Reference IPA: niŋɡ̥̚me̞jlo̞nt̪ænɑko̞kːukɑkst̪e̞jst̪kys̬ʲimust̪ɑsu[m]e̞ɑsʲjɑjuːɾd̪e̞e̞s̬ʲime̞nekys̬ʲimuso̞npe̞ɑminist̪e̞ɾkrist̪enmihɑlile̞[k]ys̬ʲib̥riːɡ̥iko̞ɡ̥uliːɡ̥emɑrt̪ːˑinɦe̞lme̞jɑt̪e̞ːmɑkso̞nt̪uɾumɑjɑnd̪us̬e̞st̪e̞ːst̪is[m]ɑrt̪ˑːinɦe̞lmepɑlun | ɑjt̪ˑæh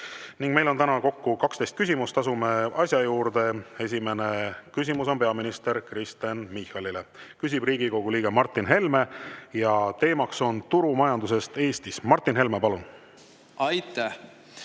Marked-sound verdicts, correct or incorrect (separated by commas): correct, correct, correct